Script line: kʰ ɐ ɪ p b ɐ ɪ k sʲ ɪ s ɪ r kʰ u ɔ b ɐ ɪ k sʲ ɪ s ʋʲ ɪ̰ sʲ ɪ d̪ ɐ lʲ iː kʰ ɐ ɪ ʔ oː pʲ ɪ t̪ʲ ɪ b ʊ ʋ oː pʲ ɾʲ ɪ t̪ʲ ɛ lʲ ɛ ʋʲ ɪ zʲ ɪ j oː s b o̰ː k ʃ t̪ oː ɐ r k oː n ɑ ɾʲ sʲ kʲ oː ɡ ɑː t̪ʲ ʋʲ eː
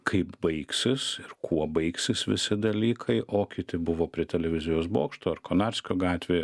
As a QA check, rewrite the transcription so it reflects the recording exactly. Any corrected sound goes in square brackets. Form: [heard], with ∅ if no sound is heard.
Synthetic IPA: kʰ ɐ ɪ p b ɐ ɪ k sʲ ɪ s ɪ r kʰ u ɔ b ɐ ɪ k sʲ ɪ s ʋʲ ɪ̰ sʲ ɪ d̪ ɐ lʲ iː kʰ ɐ ɪ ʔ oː [kʲ] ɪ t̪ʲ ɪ b ʊ ʋ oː pʲ ɾʲ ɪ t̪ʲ ɛ lʲ ɛ ʋʲ ɪ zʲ ɪ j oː s b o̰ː k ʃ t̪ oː ɐ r k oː n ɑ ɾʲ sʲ kʲ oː ɡ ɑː t̪ʲ ʋʲ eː